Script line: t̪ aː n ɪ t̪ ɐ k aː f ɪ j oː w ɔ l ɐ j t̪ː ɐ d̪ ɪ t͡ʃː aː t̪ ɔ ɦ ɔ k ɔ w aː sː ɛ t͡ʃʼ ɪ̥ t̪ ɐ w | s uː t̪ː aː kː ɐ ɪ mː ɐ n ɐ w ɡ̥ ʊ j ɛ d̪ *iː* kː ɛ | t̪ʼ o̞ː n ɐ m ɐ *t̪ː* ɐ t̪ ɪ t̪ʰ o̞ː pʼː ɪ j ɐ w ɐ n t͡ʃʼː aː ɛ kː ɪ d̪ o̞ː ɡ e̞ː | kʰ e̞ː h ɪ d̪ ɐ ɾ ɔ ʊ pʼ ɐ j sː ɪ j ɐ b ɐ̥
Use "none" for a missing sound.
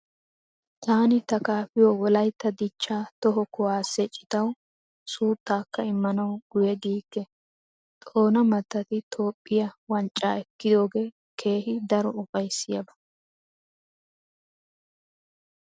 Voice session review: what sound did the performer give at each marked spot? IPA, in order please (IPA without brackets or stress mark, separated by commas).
iː, t̪ː